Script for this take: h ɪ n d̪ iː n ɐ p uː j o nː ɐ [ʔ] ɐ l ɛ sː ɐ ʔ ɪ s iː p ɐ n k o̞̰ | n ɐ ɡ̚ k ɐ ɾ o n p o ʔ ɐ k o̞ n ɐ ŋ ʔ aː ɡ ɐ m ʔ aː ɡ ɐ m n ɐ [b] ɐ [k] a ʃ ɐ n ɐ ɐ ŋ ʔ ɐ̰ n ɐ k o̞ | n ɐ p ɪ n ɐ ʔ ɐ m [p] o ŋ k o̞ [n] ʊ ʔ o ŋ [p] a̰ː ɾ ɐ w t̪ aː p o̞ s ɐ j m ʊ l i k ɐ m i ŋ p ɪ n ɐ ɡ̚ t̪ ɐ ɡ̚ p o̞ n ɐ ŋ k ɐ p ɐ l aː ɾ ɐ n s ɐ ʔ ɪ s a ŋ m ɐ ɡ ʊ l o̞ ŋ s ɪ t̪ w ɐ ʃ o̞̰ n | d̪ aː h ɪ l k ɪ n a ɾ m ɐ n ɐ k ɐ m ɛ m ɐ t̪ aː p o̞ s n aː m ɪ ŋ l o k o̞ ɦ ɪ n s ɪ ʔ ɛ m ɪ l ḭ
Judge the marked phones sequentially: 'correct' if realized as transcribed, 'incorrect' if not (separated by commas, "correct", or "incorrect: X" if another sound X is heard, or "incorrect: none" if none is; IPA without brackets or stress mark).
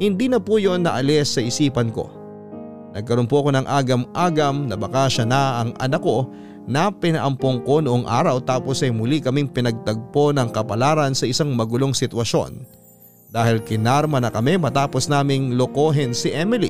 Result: correct, correct, correct, correct, correct, incorrect: ʔ